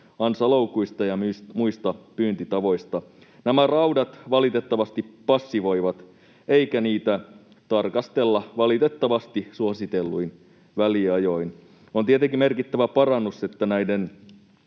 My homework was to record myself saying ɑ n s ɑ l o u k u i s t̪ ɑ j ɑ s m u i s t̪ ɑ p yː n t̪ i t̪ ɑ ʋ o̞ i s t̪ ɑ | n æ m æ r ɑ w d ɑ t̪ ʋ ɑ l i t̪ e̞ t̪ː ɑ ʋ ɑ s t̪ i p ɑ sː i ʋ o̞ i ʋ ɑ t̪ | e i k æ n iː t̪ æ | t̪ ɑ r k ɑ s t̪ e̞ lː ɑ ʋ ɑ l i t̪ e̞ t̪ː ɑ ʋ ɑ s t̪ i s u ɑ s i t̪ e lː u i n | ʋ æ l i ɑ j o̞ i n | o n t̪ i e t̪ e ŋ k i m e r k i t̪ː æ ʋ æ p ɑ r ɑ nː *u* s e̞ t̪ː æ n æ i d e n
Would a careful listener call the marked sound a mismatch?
no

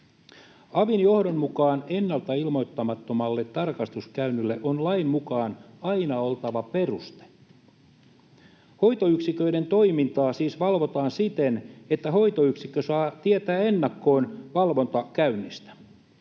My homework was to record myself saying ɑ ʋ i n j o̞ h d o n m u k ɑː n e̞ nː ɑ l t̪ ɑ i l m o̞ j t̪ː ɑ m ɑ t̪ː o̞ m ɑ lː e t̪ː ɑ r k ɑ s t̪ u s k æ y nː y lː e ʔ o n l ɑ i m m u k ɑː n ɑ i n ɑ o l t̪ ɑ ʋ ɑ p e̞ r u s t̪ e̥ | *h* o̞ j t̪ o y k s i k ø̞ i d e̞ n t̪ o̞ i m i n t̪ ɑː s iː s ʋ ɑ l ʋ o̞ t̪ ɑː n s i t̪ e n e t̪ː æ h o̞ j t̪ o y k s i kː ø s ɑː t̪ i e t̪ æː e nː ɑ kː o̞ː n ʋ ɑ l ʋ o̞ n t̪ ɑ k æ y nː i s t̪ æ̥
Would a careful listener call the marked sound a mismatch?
no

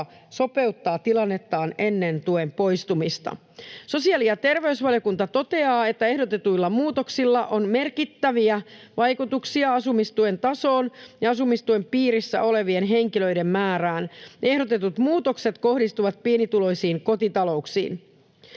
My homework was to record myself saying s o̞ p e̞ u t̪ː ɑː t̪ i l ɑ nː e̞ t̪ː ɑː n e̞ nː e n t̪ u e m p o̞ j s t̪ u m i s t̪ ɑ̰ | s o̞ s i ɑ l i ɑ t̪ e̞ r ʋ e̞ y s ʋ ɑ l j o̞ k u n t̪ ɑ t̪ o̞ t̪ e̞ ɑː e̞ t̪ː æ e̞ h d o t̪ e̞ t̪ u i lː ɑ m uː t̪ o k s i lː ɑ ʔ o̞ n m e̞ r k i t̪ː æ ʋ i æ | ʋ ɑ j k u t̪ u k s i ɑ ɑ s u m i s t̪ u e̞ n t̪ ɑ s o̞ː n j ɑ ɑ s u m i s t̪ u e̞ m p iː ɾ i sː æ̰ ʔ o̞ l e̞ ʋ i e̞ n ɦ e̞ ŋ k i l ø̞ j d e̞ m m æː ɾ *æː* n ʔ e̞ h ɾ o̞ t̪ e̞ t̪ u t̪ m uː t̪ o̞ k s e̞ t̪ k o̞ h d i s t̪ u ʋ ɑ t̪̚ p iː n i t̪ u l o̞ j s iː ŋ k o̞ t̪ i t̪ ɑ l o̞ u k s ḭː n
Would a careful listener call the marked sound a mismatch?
no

